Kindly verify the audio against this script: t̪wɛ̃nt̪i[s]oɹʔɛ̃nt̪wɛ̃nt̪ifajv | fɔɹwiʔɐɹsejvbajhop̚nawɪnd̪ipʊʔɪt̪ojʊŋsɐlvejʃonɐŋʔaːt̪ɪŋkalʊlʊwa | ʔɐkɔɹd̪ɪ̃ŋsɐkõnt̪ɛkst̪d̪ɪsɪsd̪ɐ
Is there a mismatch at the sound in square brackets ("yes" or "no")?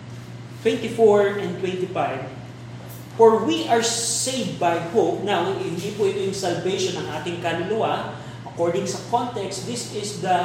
yes